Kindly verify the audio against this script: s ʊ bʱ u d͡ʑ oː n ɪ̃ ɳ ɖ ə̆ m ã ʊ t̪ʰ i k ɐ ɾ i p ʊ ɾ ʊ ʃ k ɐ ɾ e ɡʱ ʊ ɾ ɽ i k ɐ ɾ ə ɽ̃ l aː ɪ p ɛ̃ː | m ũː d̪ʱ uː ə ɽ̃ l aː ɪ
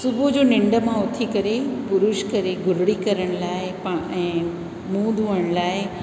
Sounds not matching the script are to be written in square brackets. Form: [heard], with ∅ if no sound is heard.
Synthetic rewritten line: s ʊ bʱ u d͡ʑ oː n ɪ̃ ɳ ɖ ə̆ m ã ʊ t̪ʰ i k ɐ ɾ [e] p ʊ ɾ ʊ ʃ k ɐ ɾ e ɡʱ ʊ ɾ ɽ i k ɐ ɾ ə ɽ̃ l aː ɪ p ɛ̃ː | m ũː d̪ʱ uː ə ɽ̃ l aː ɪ